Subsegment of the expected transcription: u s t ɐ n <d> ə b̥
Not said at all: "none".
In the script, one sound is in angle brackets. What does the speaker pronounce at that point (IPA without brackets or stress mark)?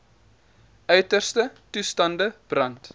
d